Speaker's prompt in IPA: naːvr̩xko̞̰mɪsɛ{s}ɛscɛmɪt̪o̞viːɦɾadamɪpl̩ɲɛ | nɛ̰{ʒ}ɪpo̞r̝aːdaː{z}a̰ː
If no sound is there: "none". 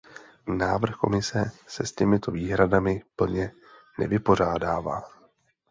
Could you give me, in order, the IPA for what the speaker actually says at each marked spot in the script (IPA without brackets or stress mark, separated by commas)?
s, v, v